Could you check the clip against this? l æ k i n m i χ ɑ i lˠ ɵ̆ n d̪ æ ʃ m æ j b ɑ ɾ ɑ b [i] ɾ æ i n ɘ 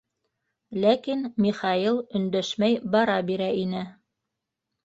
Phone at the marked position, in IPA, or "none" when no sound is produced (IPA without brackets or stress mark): i